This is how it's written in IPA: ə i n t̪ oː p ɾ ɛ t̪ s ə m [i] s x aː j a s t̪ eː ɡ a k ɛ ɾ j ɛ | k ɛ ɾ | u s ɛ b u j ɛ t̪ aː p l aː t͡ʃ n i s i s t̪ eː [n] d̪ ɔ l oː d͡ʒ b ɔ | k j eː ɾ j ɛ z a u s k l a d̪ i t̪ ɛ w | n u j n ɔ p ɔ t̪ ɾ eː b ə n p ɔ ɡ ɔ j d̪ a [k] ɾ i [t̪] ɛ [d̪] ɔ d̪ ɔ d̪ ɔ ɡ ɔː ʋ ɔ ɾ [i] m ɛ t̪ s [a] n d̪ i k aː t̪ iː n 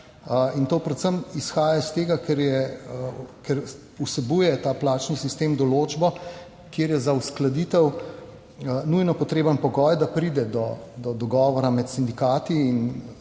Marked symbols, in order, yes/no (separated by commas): yes, no, no, no, yes, no, no